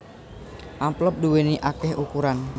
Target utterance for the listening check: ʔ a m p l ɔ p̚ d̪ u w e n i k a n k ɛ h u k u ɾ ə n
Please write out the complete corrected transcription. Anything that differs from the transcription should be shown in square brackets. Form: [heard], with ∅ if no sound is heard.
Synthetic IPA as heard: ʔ a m p l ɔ p̚ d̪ u w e n i [ʔ] a [∅] k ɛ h u k u ɾ [a] n

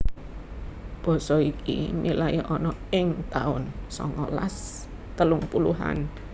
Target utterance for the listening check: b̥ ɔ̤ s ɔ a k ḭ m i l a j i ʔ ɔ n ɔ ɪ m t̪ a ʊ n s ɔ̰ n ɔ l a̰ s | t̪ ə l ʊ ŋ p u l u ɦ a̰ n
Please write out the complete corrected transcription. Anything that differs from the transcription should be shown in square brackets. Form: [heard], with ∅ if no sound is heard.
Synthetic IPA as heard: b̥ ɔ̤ s ɔ [i] k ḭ m i l a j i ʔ ɔ n ɔ ɪ [ŋ] t̪ a ʊ n s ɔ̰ [ŋ] ɔ l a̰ s | t̪ ə l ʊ ŋ p u l u ɦ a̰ n

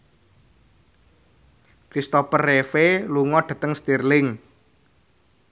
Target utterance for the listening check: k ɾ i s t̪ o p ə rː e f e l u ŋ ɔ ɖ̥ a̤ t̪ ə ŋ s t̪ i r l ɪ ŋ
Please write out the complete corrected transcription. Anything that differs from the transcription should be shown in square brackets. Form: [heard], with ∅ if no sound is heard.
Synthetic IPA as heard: k ɾ i s t̪ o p ə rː e f e l u ŋ ɔ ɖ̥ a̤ t̪ ə ŋ s t̪ i r l ɪ ŋ

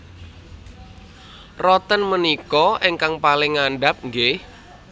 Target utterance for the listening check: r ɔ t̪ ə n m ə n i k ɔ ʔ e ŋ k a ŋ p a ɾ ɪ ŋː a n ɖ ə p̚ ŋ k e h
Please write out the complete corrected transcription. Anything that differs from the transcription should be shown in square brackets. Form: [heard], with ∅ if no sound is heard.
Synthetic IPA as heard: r ɔ t̪ ə n m ə n i k ɔ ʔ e ŋ k a ŋ p a [l] ɪ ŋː a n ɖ [a] p̚ ŋ [ɡ] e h

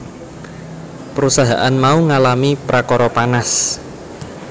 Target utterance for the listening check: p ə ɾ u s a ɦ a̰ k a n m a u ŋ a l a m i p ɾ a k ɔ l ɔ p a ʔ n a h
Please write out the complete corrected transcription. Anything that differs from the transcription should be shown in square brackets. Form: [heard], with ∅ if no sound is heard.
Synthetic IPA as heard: p ə ɾ u s a ɦ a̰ [ʔ] a n m a u ŋ a l a m i p ɾ a k ɔ [ɾ] ɔ p a [∅] n a [s]

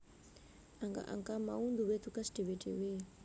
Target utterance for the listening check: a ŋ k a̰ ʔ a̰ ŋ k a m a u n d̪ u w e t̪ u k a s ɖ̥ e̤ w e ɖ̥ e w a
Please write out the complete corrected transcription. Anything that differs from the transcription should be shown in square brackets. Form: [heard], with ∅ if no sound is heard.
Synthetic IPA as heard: a ŋ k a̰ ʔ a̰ ŋ k a m a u n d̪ u w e t̪ u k a s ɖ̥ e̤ w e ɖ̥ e w [e]

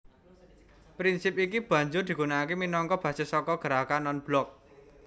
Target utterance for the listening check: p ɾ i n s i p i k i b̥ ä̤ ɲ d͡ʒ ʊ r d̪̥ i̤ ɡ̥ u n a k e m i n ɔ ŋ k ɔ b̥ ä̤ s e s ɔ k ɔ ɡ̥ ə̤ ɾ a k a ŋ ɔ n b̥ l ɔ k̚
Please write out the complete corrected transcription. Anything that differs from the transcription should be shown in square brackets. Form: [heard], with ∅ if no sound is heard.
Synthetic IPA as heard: p ɾ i n s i p i k i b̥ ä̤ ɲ d͡ʒ ʊ r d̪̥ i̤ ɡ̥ u n a k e m i n ɔ ŋ k ɔ b̥ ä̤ s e s ɔ k ɔ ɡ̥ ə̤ ɾ a k a [n] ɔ n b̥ l ɔ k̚

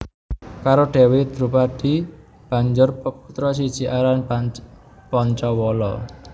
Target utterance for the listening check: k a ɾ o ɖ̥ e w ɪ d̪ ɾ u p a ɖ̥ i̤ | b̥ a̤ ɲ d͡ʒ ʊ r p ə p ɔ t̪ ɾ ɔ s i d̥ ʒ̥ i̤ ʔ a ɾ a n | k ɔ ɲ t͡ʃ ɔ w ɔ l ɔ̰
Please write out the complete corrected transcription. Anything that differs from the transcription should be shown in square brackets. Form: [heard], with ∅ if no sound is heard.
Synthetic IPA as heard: k a ɾ o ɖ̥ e w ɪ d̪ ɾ u p a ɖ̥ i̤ | b̥ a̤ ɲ d͡ʒ ʊ r p ə p [u] t̪ ɾ ɔ s i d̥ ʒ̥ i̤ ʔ a ɾ a n | [p] ɔ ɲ t͡ʃ ɔ w ɔ l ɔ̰

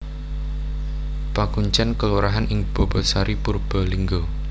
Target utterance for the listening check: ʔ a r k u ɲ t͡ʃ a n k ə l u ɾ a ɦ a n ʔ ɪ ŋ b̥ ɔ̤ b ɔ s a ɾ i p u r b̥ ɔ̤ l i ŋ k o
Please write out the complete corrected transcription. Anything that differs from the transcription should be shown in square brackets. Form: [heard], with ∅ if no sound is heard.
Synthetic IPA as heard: [p] a [∅] k u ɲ t͡ʃ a n k ə l u ɾ a ɦ a n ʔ ɪ ŋ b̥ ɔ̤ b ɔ s a ɾ i p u r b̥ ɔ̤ l i ŋ [ɡ] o

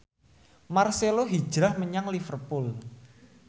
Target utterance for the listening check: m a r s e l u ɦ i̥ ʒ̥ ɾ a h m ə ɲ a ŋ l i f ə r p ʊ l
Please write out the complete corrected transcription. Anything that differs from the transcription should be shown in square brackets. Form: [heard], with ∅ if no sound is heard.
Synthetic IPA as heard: m a r s e l [o] ɦ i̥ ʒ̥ ɾ a h m ə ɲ a ŋ l i f ə r p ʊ l

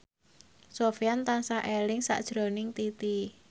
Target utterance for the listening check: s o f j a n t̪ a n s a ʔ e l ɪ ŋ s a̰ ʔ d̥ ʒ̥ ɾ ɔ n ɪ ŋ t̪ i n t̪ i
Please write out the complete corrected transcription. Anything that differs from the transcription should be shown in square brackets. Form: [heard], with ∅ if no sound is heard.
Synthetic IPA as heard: s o f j a n t̪ a n s a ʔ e l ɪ ŋ s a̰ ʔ d̥ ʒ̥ ɾ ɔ n ɪ ŋ t̪ i [∅] t̪ i

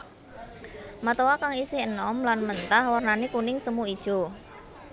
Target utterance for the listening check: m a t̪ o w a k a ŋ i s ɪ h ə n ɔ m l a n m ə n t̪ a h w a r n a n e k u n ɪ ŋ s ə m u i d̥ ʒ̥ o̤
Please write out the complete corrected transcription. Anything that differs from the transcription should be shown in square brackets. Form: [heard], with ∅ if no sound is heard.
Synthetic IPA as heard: m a t̪ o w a k a ŋ i s ɪ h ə n ɔ m l a n m ə n t̪ a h w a r n a n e k u n ɪ ŋ s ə m u i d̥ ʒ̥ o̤

